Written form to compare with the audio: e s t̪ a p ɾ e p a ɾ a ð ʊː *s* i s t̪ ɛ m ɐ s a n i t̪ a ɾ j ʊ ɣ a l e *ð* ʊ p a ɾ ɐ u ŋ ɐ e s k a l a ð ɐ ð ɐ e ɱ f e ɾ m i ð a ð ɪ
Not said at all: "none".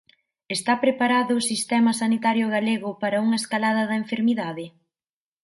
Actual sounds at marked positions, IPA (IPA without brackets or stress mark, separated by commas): s, ɣ